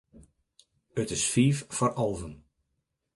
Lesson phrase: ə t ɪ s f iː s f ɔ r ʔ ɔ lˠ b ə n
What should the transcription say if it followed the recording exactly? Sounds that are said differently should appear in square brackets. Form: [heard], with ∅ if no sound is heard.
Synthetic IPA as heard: ə t ɪ s f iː [f] f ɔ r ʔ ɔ lˠ [v] ə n